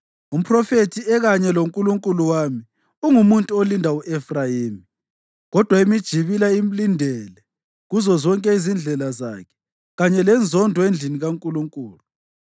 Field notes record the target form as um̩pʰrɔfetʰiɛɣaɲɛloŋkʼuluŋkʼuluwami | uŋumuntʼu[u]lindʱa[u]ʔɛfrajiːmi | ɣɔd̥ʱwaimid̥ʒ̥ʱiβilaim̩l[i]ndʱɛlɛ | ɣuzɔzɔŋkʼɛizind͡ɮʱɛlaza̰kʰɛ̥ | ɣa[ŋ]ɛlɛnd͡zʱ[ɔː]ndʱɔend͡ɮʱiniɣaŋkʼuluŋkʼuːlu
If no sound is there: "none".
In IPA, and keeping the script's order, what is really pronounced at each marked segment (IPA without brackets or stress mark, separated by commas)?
o, u, i, ɲ, ɔ